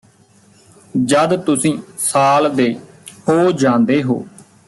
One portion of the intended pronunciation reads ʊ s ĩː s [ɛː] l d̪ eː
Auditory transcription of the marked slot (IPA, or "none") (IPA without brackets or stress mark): aː